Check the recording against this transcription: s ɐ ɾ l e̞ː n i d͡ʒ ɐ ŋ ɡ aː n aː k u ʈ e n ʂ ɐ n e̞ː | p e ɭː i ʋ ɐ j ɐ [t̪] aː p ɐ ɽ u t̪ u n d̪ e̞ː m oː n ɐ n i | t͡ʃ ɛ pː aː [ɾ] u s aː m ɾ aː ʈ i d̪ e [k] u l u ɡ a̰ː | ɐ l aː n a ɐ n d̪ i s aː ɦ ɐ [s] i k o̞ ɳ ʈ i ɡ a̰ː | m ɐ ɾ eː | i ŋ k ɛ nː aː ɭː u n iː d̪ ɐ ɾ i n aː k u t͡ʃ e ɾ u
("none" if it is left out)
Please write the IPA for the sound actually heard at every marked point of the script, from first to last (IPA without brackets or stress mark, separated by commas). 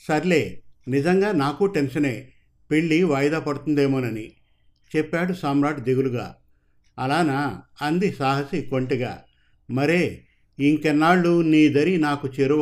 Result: d̪, ɽ, ɡ, s